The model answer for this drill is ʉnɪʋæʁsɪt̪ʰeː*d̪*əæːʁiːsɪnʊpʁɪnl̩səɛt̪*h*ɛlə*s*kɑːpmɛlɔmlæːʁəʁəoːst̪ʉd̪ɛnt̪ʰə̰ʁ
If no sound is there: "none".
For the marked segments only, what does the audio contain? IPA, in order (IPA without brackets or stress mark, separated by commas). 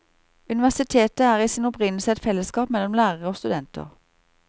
t̪, f, s